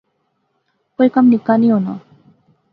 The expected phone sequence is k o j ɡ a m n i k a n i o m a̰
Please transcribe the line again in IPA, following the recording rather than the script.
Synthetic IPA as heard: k o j k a m n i k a n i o n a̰